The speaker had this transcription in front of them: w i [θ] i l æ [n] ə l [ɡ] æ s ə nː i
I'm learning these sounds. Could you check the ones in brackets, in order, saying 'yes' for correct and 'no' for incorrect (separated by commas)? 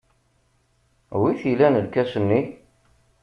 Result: yes, yes, no